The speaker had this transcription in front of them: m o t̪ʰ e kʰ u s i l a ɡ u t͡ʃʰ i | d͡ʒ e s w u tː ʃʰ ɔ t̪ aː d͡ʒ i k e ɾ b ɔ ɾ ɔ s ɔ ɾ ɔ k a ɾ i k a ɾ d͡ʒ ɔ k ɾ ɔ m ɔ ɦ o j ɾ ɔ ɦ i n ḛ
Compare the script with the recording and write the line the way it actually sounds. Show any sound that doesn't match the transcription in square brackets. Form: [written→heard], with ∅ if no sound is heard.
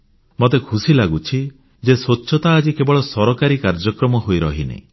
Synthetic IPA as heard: m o [t̪ʰ→t̪] e kʰ u s i l a ɡ u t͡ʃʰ i | d͡ʒ e s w [u→o] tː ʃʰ ɔ t̪ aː d͡ʒ i k e [ɾ→∅] b ɔ [ɾ→ɭ] ɔ s ɔ ɾ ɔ k a ɾ i k a ɾ d͡ʒ ɔ k ɾ ɔ m ɔ ɦ o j ɾ ɔ ɦ i n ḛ